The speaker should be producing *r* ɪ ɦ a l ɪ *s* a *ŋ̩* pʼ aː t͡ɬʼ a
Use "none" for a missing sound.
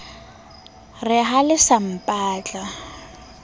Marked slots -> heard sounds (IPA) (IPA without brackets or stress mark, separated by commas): r, s, m̩